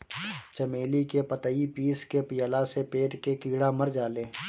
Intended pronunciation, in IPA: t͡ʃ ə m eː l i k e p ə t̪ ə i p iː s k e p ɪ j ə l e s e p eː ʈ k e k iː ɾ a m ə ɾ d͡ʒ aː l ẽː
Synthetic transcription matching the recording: t͡ʃ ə m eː l i k e p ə t̪ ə i p iː s k e p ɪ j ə l a s e p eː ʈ k e k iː ɽ a m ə ɾ d͡ʒ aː l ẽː

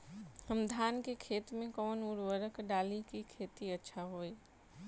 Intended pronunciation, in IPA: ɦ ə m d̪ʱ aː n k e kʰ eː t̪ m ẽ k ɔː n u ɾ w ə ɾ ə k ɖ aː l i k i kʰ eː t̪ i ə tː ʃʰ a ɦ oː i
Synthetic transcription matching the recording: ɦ ə m d̪ʱ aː n k e kʰ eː t̪ m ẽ k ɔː n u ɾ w ə ɾ ə k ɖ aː l i k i kʰ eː t̪ i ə tː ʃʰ a ɦ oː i

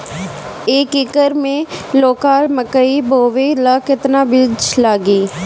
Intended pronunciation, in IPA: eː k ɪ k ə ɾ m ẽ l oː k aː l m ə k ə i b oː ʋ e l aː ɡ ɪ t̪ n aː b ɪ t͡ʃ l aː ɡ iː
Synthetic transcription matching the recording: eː k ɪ k ə ɾ m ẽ l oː k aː l m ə k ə i b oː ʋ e l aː k ɪ t̪ n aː b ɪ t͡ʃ l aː ɡ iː

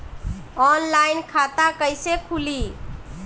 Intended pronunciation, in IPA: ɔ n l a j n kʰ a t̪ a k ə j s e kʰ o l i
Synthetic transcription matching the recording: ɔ n l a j n kʰ a t̪ a k ə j s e kʰ u l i

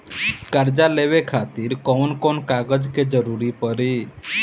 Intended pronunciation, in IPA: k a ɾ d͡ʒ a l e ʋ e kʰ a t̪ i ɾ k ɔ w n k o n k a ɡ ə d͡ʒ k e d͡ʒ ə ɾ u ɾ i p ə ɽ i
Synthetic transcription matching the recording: k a ɾ d͡ʒ a l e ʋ e kʰ a t̪ i ɾ k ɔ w n k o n k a ɡ ə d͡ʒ k e d͡ʒ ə ɾ u ɾ i p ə ɾ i

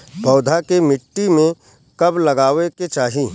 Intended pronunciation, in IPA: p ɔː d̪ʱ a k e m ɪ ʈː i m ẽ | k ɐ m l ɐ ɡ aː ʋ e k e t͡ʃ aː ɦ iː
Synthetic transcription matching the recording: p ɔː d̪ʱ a k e m ɪ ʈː i m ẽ | k ɐ b l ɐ ɡ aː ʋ e k e t͡ʃ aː ɦ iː

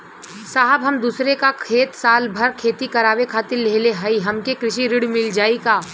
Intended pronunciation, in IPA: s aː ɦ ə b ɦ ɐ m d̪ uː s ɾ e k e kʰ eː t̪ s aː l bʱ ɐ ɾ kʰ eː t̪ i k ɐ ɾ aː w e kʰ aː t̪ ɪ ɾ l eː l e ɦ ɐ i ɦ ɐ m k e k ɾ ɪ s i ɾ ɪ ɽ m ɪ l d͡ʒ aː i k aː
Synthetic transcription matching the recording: s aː ɦ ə b ɦ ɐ m d̪ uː s ɾ e k a kʰ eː t̪ s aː l bʱ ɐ ɾ kʰ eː t̪ i k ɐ ɾ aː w e kʰ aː t̪ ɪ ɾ l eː l e ɦ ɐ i ɦ ɐ m k e k ɾ ɪ ʃ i ɾ ɪ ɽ m ɪ l d͡ʒ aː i k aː

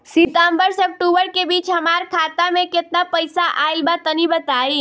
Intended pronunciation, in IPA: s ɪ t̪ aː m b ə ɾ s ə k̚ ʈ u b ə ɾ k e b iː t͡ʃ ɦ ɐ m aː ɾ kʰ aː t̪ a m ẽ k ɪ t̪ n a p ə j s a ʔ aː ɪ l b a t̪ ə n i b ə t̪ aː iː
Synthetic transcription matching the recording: s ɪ t̪ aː m b ə ɾ s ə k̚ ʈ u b ə ɾ k e b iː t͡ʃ ɦ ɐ m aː ɾ kʰ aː t̪ a m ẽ k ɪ t̪ n a p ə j s a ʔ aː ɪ l b a t̪ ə n i b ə t̪ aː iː

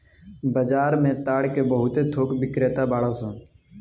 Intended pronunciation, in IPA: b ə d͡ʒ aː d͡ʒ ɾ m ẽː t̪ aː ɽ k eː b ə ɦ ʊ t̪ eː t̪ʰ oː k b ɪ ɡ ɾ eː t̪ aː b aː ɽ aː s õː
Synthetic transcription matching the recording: b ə d͡ʒ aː ɾ m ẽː t̪ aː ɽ k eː b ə ɦ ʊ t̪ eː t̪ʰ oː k b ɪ k ɾ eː t̪ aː b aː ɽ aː s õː

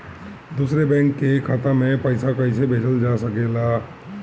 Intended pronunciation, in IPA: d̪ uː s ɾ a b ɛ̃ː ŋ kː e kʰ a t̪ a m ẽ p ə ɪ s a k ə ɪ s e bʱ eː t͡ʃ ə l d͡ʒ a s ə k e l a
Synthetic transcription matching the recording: d̪ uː s ɾ e b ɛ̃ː ŋ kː e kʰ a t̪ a m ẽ p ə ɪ s a k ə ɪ s e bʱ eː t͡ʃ ə l d͡ʒ a s ə k e l a

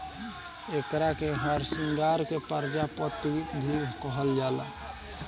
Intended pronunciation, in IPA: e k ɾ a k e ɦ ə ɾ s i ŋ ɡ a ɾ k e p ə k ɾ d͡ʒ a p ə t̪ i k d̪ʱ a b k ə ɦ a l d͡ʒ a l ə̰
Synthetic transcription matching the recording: e k ɾ a k e ɦ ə ɾ s i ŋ ɡ a ɾ k e p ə ɾ d͡ʒ a p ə t̪ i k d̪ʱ i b k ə ɦ ə l d͡ʒ a l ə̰

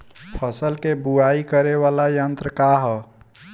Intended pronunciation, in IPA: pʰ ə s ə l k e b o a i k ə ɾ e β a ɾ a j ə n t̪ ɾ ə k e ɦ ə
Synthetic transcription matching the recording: pʰ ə s ə l k e b u a i k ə ɾ e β a l a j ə n t̪ ɾ ə k a ɦ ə

